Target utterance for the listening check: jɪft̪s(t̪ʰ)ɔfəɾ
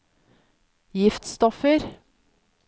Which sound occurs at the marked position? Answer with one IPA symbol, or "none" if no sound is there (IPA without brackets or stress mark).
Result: t̪